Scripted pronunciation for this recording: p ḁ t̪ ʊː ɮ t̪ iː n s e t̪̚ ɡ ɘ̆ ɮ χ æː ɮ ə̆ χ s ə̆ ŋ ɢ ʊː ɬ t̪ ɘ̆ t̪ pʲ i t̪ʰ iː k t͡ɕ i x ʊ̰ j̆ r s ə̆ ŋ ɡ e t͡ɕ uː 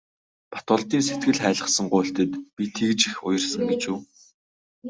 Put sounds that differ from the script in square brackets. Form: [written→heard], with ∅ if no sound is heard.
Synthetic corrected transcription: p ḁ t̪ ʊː ɮ t̪ iː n s e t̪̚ ɡ ɘ̆ ɮ χ æː ɮ ə̆ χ s ə̆ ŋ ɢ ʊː ɬ t̪ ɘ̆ t̪ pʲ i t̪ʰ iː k t͡ɕ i x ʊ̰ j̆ r s ə̆ ŋ ɡ e t͡ɕ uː